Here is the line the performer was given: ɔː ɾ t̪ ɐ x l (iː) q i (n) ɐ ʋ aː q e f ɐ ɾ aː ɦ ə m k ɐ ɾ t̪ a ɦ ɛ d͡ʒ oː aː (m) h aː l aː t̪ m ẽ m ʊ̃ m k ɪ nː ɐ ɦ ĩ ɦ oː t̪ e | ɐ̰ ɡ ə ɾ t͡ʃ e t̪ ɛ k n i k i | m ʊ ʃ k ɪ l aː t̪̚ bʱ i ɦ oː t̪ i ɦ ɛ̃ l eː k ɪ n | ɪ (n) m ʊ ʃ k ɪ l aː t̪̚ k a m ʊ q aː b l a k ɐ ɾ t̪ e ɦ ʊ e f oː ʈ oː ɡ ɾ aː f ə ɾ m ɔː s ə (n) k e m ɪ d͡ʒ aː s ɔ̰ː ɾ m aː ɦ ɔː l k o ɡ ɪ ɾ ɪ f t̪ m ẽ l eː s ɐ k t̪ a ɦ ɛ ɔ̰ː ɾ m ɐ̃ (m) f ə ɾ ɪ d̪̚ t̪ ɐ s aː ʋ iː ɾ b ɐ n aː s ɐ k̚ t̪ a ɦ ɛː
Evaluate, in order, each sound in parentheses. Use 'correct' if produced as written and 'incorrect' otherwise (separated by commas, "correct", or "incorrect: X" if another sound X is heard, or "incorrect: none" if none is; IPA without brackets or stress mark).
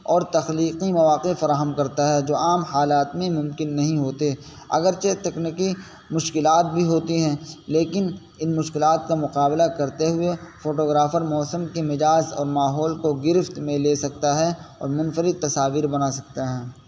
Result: correct, incorrect: m, correct, correct, incorrect: m, incorrect: n